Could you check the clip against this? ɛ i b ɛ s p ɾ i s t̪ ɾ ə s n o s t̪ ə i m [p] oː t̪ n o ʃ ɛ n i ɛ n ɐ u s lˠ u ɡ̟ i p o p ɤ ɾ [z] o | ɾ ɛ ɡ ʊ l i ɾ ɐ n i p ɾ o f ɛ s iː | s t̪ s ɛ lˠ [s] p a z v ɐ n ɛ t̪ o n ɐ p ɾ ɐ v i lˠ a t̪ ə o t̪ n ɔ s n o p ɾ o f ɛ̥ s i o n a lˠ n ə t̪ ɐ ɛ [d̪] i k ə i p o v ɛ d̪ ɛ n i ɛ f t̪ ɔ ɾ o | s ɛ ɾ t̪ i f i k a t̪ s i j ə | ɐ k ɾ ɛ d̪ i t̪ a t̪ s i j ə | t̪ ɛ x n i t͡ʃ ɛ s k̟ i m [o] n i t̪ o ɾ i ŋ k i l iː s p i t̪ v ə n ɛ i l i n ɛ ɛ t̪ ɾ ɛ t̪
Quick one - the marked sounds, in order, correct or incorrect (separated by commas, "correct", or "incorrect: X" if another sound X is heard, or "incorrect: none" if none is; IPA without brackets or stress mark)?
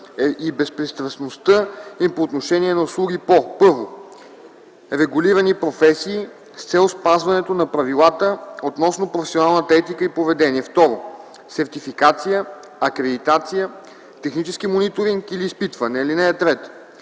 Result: correct, incorrect: v, correct, incorrect: t̪, correct